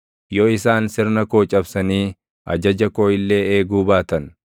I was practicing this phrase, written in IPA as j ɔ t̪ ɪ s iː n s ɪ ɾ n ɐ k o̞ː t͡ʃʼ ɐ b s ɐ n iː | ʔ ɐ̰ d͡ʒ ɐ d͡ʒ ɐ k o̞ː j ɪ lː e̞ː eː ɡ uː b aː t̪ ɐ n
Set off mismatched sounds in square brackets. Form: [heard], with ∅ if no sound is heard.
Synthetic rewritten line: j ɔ [∅] ɪ s [aː] n s ɪ ɾ n ɐ k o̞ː t͡ʃʼ ɐ b s ɐ n iː | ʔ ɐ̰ d͡ʒ ɐ d͡ʒ ɐ k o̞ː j ɪ lː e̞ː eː ɡ uː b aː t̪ ɐ n